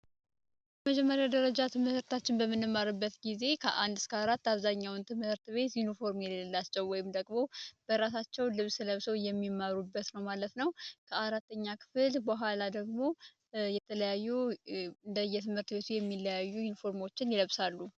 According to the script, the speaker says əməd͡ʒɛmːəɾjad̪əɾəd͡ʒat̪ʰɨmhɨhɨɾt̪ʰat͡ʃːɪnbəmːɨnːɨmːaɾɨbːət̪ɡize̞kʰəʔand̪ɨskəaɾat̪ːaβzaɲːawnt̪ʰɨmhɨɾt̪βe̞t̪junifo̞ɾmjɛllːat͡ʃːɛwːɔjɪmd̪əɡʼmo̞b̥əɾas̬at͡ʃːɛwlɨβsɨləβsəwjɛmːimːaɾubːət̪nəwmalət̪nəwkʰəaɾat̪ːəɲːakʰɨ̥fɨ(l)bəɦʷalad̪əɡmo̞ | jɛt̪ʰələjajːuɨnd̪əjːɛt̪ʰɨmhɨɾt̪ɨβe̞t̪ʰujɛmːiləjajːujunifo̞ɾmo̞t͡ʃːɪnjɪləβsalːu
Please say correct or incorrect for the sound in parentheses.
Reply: correct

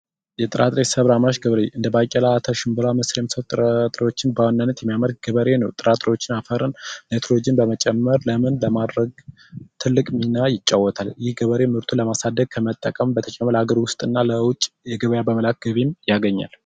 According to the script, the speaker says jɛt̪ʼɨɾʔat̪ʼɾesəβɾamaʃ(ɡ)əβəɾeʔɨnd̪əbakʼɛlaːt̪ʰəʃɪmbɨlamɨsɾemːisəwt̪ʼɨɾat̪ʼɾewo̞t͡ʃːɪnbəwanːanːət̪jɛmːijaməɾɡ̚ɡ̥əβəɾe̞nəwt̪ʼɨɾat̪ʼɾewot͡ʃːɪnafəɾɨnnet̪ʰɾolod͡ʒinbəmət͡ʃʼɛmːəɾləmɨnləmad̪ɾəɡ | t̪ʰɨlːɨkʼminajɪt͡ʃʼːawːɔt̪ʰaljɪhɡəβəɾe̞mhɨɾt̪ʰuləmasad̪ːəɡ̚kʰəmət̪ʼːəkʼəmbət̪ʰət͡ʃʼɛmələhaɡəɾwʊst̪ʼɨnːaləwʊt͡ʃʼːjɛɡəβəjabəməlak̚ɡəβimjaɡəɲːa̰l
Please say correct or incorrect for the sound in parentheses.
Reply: correct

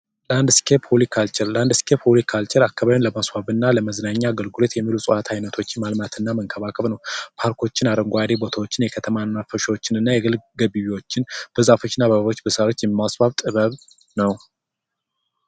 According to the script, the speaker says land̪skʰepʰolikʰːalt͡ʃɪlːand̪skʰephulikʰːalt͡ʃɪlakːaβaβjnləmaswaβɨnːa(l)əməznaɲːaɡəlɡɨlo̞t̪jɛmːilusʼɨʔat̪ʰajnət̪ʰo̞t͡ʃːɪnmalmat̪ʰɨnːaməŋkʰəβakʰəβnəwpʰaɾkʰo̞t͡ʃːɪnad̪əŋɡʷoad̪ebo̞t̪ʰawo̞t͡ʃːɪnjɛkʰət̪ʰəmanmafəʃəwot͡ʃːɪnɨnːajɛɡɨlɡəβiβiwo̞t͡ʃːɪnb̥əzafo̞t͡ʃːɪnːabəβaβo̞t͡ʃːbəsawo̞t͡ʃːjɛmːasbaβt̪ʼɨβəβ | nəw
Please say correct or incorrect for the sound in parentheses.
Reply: correct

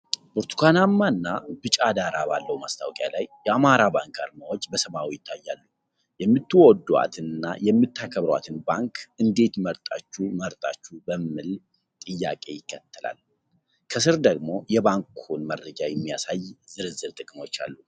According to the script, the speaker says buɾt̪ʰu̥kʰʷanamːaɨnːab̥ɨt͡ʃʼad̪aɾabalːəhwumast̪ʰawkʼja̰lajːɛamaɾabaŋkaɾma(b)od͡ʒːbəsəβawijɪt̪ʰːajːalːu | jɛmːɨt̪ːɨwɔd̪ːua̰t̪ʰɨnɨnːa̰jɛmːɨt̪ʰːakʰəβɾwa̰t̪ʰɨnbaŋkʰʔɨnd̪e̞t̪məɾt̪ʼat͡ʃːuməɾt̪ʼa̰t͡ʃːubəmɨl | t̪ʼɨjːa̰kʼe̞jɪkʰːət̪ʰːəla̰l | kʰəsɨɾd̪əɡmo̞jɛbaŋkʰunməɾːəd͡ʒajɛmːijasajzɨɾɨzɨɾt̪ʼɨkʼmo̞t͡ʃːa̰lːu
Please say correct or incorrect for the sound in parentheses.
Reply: incorrect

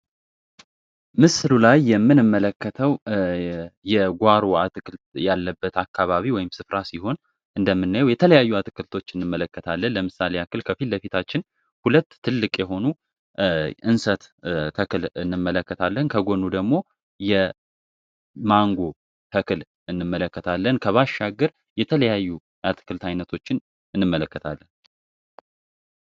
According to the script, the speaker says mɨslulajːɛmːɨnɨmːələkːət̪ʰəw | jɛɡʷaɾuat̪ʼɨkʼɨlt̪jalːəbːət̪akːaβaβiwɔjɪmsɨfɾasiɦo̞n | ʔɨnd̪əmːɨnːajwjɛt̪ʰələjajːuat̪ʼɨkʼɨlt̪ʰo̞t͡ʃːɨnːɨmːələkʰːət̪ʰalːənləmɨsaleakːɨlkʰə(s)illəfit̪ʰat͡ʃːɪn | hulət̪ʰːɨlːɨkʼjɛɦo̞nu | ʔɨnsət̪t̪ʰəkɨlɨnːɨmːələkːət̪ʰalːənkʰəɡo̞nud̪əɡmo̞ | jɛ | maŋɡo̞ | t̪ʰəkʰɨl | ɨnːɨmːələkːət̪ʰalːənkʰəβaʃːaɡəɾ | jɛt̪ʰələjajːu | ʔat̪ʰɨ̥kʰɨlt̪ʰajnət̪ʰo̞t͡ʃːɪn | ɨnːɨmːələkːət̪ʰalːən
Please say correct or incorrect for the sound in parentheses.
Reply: incorrect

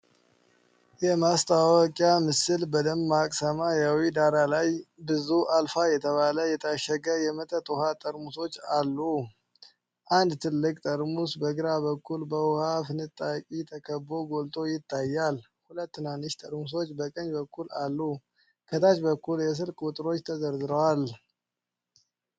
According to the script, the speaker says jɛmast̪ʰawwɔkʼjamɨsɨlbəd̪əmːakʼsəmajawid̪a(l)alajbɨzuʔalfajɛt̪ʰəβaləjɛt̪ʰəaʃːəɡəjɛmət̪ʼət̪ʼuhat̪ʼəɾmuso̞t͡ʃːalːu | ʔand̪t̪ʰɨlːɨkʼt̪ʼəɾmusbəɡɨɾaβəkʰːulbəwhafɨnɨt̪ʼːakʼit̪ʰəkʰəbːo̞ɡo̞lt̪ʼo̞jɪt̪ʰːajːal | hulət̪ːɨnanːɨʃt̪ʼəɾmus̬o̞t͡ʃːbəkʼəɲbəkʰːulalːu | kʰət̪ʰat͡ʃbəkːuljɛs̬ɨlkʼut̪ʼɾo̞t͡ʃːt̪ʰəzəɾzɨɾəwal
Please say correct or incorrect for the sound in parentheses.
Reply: incorrect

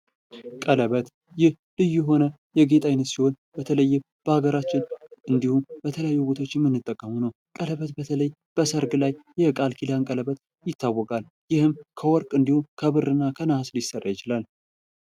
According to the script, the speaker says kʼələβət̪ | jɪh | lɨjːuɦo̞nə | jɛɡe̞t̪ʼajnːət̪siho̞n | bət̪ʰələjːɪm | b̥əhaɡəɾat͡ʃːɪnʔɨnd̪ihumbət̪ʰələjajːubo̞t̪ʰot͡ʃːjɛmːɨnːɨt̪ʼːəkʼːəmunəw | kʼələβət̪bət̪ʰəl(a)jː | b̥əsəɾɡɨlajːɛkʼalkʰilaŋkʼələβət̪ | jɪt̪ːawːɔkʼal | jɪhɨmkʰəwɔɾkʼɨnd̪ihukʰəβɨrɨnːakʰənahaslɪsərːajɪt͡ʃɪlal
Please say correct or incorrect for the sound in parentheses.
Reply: incorrect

